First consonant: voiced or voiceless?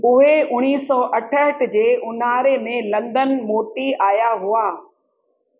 voiced